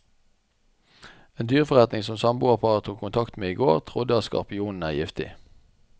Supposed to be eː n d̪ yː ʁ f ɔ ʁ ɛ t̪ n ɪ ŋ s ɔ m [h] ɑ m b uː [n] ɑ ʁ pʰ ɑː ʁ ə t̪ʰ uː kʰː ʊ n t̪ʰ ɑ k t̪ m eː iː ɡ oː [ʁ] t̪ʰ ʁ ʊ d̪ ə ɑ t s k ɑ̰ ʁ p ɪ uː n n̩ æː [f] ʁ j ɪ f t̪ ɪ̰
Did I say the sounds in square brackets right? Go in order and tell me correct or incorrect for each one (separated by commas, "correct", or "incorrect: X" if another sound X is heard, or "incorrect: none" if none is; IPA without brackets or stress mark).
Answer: incorrect: s, incorrect: none, correct, incorrect: none